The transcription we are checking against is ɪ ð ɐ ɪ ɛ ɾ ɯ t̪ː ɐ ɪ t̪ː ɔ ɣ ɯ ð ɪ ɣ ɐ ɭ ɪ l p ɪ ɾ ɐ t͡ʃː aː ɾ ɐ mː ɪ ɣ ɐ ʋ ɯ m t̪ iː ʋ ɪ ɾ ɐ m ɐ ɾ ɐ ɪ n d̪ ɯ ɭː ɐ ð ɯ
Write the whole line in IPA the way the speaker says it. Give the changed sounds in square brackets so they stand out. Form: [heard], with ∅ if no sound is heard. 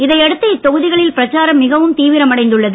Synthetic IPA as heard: ɪ ð ɐ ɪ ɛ [ɽ] ɯ t̪ː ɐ ɪ t̪ː ɔ ɣ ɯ ð ɪ ɣ ɐ ɭ ɪ l p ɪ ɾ ɐ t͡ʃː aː ɾ ɐ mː ɪ ɣ ɐ ʋ ɯ m t̪ iː ʋ ɪ ɾ ɐ m ɐ [ɽ] ɐ ɪ n d̪ ɯ ɭː ɐ ð ɯ